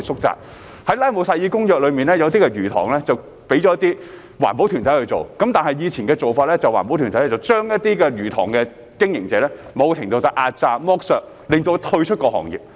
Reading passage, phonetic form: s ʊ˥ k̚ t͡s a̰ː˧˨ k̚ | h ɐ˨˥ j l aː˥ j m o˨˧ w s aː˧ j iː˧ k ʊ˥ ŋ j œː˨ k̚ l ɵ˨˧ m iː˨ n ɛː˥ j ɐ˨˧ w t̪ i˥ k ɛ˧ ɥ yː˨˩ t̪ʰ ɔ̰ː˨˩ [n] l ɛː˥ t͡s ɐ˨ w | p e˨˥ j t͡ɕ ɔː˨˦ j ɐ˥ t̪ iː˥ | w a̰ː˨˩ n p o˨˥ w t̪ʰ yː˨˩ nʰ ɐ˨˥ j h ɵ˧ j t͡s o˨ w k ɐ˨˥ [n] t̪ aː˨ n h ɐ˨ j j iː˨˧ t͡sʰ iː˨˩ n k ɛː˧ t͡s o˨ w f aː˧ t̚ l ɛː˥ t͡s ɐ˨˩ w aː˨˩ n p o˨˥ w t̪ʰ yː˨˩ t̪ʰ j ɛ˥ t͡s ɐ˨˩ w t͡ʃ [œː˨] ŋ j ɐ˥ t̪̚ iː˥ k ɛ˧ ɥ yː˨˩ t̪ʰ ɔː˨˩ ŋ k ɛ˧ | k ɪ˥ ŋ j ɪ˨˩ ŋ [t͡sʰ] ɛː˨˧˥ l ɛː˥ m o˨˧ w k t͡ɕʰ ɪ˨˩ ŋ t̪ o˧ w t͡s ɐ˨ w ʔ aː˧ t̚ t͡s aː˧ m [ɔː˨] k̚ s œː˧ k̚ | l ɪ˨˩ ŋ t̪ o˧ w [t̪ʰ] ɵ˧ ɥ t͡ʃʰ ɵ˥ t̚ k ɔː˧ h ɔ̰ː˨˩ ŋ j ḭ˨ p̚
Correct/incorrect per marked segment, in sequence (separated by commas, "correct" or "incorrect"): incorrect, incorrect, incorrect, incorrect, incorrect, correct